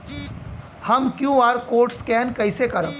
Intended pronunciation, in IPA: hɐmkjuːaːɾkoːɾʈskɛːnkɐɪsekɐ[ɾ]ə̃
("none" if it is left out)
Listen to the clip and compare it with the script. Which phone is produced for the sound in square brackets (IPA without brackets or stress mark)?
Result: ɾ